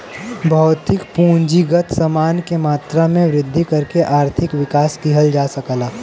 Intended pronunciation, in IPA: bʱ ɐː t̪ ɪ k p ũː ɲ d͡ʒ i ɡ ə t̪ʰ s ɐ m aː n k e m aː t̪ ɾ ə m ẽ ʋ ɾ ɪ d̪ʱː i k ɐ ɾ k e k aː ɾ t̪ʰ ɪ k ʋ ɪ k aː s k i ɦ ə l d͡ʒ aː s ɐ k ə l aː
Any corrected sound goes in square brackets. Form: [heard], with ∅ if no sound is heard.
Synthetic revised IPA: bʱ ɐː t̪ ɪ k p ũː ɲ d͡ʒ i ɡ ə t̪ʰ s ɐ m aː n k e m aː t̪ ɾ [a] m ẽ ʋ ɾ ɪ d̪ʱː i k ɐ ɾ k e [ʔ] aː ɾ t̪ʰ ɪ k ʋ ɪ k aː s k i ɦ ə l d͡ʒ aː s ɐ k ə l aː